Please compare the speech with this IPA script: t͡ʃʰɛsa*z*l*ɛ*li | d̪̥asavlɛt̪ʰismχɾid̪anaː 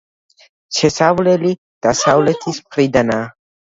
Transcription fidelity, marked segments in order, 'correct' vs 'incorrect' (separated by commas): incorrect, correct